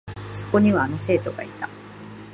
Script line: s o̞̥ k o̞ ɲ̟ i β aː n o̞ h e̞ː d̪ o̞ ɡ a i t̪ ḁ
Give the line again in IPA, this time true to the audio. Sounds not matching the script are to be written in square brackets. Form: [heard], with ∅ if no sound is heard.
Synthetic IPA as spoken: s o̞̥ k o̞ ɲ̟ i β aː n o̞ [s] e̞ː [t̪] o̞ ɡ a i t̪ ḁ